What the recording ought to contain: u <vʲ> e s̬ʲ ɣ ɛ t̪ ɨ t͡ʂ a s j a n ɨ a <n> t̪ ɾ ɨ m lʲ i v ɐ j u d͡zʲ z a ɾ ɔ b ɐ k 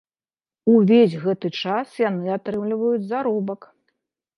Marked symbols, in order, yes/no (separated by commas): yes, no